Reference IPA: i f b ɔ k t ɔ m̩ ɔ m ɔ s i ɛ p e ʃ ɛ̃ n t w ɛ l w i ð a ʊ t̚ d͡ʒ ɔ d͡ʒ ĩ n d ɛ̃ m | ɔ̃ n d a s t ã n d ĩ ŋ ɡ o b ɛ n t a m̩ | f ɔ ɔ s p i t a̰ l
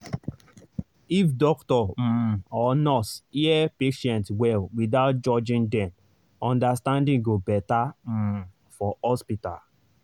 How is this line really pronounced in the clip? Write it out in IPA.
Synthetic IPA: i f d ɔ k t ɔ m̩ ɔ n ɔ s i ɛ p e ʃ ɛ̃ n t w ɛ l w i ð a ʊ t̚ d͡ʒ ɔ d͡ʒ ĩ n d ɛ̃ m | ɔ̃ n d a s t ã n d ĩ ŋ ɡ o b ɛ t a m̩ | f ɔ ɔ s p i t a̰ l

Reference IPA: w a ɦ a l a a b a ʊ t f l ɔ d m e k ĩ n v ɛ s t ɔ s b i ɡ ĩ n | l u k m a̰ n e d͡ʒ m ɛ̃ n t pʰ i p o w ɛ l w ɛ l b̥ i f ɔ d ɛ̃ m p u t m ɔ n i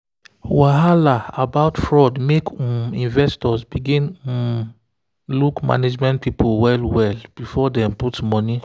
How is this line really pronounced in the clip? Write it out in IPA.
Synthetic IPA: w a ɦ a l a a b a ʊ t f ɹ ɔ d m e k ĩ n v ɛ s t ɔ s b i ɡ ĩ n | l u k m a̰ n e d͡ʒ m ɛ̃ n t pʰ i p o w ɛ l w ɛ l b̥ i f ɔ d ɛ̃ m p u t m ɔ n i

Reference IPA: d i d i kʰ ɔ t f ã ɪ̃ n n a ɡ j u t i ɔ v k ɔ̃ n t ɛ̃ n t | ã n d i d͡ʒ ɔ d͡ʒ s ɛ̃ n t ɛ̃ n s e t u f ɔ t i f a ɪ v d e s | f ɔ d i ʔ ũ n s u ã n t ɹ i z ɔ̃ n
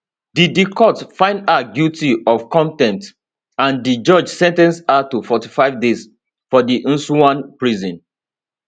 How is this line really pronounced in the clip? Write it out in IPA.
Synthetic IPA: d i d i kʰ ɔ t f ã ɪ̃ n d a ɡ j u t i ɔ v k ɔ̃ n t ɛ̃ n t | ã n d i d͡ʒ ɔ d͡ʒ s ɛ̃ n t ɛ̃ n s a t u f ɔ t i f a ɪ v d e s | f ɔ d i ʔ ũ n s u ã n p ɹ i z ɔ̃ n

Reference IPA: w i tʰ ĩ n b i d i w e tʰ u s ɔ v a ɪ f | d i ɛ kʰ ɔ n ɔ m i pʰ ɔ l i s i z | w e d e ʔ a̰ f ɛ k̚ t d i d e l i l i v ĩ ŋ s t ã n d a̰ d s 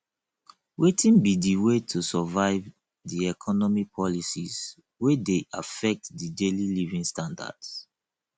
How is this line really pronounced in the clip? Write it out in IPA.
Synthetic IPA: w e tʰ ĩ n b i d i w e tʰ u s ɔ v a ɪ v | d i ɛ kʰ ɔ n ɔ m i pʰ ɔ l i s i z | w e d e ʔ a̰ f ɛ k̚ t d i d e l i l i v ĩ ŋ s t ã n d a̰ d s

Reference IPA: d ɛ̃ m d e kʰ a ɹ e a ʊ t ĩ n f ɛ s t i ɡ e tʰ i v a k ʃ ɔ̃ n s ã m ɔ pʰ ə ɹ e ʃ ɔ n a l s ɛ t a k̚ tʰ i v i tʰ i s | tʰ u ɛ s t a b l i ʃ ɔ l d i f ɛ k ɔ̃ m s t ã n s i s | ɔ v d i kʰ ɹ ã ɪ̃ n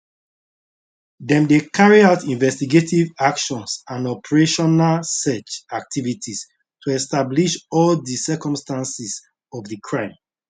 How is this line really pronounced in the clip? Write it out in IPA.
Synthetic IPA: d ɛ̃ m d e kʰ a ɹ i a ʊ t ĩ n v ɛ s t i ɡ e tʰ i v a k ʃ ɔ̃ n s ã n ɔ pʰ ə ɹ e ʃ ɔ n a l s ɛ t͡ʃ a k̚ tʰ i v i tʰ i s | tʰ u ɛ s t a b l i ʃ ɔ l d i s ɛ k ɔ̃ m s t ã n s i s | ɔ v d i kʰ ɹ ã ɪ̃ m

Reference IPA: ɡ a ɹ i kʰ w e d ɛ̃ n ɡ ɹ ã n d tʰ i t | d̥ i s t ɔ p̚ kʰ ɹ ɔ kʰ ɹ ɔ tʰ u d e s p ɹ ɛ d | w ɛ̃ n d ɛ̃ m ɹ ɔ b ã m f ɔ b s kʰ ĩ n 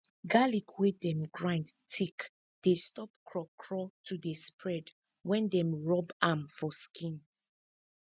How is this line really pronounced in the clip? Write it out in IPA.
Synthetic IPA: ɡ a l i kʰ w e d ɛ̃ m ɡ ɹ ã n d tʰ i k | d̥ e s t ɔ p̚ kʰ ɹ ɔ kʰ ɹ ɔ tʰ u d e s p ɹ ɛ d | w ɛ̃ n d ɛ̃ m ɹ ɔ b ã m f ɔ s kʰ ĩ n

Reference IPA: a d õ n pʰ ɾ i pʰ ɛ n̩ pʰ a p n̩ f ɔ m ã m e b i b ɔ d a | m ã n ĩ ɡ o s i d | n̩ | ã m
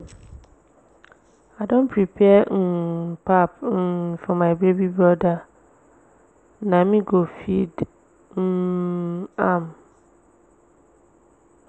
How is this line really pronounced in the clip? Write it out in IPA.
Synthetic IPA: a d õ n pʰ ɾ i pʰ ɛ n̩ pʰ a p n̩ f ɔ m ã b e b i b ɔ d a | n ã m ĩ ɡ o f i d | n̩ | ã m

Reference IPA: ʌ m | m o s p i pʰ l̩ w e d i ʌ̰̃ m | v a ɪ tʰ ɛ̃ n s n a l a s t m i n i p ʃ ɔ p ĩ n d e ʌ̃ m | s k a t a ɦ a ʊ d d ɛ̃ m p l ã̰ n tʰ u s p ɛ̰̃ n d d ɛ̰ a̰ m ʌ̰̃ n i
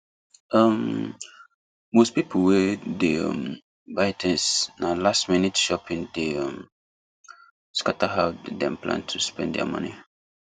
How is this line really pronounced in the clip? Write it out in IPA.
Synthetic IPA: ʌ m | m o s p i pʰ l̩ w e d e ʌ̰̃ m | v a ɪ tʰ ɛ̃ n s n a l a s t m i n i t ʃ ɔ p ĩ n d e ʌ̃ m | s k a t a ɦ a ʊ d d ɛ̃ m p l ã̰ n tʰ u s p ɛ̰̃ n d d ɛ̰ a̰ m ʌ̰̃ n i

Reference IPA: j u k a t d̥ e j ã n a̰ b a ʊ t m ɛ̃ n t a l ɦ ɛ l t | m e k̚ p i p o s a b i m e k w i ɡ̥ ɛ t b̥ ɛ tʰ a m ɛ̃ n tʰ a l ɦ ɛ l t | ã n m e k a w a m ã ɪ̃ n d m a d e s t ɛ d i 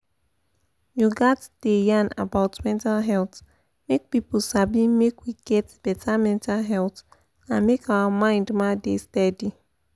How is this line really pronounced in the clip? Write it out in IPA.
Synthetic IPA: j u ɡ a t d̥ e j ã n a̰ b a ʊ t m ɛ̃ n t a l ɦ ɛ l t | m e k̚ p i p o s a b i m e k w i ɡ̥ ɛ t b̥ ɛ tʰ a m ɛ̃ n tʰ a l ɦ ɛ l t | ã n m e k a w a m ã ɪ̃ n d m a d e s t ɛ d i

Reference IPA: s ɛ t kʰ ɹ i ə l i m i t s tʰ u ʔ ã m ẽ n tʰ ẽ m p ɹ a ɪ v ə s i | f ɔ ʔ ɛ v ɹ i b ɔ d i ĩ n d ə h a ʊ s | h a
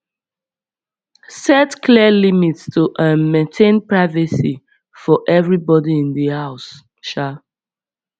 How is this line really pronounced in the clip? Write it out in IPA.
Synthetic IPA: s ɛ t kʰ l i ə l i m i t s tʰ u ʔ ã m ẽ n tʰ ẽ n p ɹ a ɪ v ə s i | f ɔ ʔ ɛ v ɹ i b ɔ d i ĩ n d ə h a ʊ s | ʃ a

